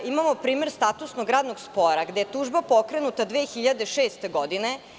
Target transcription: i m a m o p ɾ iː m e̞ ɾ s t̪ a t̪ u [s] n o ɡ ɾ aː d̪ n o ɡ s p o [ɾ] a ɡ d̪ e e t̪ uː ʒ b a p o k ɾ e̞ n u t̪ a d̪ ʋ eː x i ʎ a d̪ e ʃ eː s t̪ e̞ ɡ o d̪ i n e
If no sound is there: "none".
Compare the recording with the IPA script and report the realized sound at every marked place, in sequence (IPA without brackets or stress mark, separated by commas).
s, ɾ